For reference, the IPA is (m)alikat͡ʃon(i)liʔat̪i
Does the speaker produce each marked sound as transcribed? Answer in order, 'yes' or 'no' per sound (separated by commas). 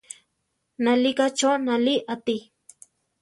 no, no